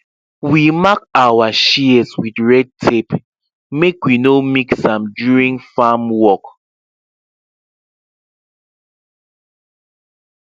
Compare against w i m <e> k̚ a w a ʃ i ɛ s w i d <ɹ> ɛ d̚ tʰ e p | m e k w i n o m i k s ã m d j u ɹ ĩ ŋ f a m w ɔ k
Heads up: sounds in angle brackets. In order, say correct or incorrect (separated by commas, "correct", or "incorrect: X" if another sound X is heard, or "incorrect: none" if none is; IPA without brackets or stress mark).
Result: incorrect: a, correct